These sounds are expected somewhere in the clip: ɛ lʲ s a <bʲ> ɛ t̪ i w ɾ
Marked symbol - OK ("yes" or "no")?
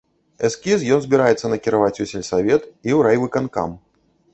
no